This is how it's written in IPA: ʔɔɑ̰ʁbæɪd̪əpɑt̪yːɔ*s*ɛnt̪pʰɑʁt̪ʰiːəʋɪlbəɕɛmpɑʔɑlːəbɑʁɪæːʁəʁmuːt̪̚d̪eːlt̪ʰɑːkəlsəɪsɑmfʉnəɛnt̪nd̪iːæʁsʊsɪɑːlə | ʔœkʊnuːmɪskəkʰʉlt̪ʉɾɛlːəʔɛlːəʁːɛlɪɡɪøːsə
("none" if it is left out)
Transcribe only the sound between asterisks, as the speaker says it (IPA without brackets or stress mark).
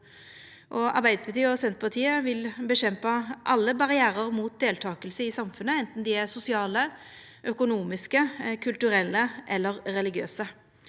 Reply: s